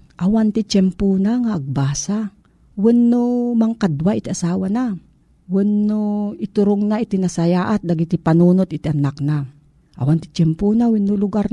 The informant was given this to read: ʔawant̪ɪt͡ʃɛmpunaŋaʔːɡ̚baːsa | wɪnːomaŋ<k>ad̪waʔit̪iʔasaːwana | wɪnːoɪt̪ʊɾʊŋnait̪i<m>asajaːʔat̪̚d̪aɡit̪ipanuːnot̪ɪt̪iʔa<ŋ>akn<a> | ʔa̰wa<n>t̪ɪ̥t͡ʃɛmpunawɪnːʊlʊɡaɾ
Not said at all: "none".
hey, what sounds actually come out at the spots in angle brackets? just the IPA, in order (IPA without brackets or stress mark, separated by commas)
k, n, n, a, n